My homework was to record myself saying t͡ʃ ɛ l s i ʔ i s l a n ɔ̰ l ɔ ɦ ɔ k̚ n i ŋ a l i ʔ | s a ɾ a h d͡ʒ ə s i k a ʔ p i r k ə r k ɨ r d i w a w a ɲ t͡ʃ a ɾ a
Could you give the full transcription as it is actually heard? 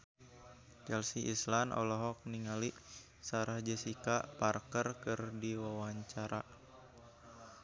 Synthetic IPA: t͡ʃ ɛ l s i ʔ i s l a n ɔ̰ l ɔ ɦ ɔ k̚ n i ŋ a l i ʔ | s a ɾ a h d͡ʒ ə s i k a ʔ p a r k ə r k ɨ r d i w a w a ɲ t͡ʃ a ɾ a